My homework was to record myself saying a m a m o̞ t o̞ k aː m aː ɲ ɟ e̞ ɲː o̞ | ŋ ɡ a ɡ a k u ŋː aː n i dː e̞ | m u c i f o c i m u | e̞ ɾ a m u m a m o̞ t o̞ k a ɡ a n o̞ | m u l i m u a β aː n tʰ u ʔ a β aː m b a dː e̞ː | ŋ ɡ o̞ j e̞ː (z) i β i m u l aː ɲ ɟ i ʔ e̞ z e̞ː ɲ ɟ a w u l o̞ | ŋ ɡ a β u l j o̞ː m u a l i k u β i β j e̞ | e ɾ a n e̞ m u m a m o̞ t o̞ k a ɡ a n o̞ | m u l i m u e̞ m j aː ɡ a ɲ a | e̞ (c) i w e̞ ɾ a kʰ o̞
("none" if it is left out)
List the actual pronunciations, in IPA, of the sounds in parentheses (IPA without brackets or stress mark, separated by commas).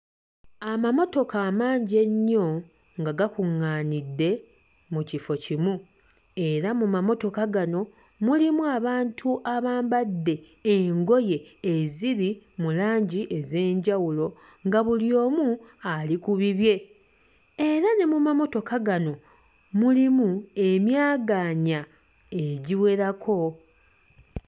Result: z, ɟ